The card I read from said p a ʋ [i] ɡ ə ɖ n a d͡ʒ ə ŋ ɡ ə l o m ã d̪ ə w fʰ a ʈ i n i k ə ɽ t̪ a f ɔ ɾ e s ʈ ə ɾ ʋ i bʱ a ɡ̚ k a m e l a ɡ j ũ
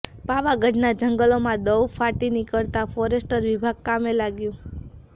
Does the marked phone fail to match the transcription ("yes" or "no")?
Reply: yes